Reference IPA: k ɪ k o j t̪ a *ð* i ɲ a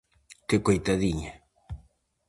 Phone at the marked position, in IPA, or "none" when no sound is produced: ð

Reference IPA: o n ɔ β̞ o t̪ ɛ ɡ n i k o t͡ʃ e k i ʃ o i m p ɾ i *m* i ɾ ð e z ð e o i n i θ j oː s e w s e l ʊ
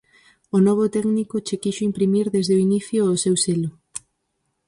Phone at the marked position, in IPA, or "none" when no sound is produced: m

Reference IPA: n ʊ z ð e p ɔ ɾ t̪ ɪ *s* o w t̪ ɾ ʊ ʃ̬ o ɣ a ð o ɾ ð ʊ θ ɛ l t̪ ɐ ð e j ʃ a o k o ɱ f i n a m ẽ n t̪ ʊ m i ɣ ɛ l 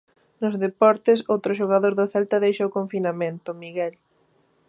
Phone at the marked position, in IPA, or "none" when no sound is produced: s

